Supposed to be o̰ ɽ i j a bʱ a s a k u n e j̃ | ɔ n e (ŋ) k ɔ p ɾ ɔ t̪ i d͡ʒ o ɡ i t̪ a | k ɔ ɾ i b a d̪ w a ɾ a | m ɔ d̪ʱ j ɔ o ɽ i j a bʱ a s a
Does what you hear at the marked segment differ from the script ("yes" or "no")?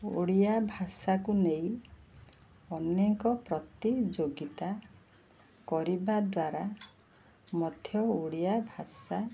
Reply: no